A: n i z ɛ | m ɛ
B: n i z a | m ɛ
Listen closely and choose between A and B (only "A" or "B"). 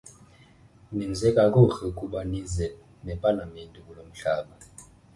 A